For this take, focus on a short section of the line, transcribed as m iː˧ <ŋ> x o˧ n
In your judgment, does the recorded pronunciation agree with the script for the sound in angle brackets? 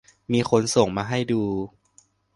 no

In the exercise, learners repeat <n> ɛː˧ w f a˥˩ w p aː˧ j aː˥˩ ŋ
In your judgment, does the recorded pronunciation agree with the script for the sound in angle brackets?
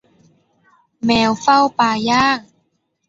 no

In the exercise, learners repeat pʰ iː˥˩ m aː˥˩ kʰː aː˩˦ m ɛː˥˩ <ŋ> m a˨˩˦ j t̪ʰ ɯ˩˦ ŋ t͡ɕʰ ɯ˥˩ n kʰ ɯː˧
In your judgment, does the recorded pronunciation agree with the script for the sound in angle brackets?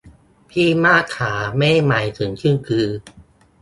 no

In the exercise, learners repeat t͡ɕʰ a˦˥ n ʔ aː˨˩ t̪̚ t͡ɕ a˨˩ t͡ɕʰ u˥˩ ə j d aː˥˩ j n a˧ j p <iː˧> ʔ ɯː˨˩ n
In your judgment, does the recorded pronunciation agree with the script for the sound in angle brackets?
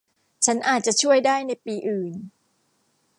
yes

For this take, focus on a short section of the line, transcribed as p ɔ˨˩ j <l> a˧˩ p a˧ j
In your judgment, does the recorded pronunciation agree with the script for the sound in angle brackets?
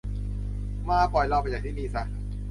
yes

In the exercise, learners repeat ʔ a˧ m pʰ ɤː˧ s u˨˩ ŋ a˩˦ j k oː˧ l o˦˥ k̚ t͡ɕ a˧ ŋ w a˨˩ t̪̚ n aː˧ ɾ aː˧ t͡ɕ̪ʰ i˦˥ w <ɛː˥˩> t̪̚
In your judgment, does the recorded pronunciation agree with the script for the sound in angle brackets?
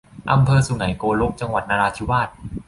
no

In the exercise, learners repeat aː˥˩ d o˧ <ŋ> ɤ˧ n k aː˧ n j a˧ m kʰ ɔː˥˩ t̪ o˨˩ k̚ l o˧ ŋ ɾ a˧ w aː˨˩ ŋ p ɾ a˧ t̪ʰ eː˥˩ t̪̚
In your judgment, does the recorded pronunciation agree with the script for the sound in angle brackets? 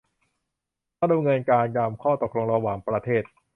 yes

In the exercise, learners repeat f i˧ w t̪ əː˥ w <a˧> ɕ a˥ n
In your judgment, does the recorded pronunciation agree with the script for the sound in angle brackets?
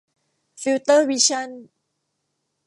no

